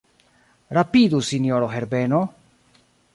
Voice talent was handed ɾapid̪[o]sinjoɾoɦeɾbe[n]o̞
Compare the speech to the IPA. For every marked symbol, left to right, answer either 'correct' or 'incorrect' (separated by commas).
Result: incorrect, correct